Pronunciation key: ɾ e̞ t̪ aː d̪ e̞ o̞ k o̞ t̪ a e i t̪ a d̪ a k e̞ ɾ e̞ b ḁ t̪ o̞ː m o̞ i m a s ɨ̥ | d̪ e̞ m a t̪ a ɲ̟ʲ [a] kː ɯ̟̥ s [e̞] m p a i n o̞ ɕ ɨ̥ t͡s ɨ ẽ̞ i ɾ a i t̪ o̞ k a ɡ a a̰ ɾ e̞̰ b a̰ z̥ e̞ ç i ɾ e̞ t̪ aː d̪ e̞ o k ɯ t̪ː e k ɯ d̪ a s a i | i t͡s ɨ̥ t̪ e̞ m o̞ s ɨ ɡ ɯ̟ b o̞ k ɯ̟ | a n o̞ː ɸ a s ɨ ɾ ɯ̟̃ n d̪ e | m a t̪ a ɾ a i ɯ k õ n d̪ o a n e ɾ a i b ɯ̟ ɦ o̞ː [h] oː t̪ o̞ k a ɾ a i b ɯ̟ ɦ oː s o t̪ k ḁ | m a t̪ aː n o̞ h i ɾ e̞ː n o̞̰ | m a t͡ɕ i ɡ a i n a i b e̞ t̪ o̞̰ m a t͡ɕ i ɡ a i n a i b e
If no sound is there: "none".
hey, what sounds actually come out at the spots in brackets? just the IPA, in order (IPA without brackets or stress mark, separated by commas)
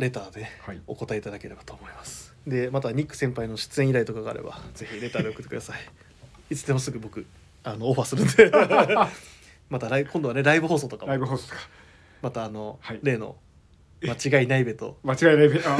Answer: i, ẽ̞, s